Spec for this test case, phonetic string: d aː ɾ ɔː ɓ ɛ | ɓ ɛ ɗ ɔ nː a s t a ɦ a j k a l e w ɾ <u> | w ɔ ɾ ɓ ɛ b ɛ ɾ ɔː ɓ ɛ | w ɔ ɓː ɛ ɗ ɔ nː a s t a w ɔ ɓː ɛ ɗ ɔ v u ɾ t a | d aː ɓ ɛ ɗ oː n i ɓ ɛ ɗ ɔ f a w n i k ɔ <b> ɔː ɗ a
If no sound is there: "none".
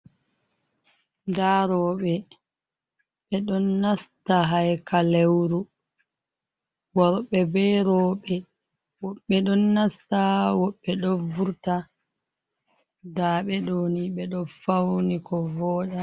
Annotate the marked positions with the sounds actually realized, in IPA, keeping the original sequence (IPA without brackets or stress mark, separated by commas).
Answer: u, v